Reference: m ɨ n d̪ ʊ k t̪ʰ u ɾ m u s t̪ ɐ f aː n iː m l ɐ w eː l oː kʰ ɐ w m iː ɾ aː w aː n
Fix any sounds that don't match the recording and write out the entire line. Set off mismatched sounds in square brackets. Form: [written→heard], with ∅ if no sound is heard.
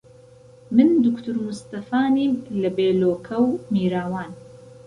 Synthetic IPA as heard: m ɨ n d̪ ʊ k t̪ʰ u ɾ m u s t̪ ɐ f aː n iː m l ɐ [w→b] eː l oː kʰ ɐ w m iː ɾ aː w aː n